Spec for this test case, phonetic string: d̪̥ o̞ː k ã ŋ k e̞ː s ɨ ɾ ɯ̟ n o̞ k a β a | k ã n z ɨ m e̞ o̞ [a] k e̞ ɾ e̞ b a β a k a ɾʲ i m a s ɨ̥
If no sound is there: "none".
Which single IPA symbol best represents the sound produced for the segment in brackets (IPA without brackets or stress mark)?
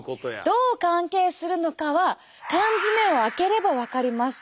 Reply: a